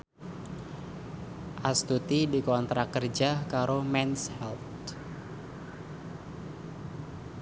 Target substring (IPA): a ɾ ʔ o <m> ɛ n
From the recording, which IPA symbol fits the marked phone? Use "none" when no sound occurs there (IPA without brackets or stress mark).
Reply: m